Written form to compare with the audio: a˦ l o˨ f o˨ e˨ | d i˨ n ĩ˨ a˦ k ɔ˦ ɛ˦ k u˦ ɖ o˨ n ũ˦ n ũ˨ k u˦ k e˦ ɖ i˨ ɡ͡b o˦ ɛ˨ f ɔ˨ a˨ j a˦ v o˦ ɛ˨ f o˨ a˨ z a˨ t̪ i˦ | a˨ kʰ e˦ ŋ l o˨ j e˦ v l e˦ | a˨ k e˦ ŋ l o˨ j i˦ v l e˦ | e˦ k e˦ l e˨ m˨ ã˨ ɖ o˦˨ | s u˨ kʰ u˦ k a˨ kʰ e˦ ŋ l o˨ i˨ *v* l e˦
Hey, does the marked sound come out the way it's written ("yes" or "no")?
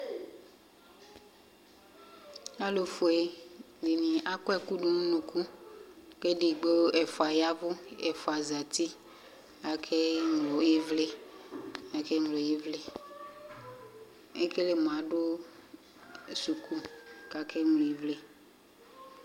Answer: yes